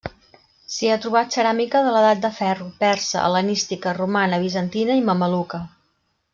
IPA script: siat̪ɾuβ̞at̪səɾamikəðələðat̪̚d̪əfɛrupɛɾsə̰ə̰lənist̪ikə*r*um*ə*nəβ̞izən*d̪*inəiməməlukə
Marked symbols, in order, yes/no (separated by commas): yes, no, no